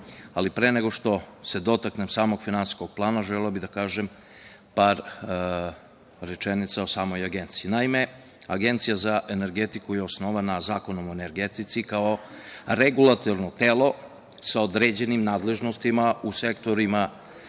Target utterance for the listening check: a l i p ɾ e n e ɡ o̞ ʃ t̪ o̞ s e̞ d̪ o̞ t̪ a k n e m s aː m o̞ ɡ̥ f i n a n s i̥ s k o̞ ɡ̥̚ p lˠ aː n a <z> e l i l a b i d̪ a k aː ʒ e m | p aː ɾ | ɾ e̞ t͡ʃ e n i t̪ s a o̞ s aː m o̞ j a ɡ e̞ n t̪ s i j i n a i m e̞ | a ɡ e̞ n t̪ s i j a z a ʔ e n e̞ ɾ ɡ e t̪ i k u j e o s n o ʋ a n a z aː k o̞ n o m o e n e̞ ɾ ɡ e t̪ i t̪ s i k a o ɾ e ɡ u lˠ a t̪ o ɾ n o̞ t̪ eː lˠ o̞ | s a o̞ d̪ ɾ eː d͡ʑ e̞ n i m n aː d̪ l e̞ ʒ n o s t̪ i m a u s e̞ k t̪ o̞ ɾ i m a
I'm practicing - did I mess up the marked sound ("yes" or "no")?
yes